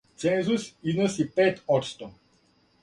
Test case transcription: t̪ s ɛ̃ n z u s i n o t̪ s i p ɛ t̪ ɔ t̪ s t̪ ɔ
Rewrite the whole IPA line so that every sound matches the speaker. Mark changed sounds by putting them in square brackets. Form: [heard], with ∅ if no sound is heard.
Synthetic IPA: t̪ s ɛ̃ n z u s i n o [∅] s i p ɛ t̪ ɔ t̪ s t̪ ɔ